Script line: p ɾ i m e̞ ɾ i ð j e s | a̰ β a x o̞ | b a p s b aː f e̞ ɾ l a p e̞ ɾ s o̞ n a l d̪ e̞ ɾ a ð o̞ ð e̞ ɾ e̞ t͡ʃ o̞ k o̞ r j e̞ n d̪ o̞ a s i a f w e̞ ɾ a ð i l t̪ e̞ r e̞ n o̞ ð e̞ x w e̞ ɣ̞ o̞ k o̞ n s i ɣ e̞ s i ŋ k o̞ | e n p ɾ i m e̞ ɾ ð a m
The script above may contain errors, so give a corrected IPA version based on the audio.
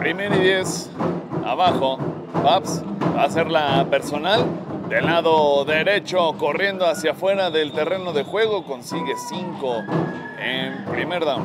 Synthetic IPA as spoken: p ɾ i m e̞ ɾ i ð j e s | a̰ β a x o̞ | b a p s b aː s e̞ ɾ l a p e̞ ɾ s o̞ n a l d̪ e̞ l a ð o̞ ð e̞ ɾ e̞ t͡ʃ o̞ k o̞ r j e̞ n d̪ o̞ a s j a f w e̞ ɾ a ð e l t̪ e̞ r e̞ n o̞ ð e̞ x w e̞ ɣ̞ o̞ k o̞ n s i ɣ e̞ s i ŋ k o̞ | e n p ɾ i m e̞ ɾ ð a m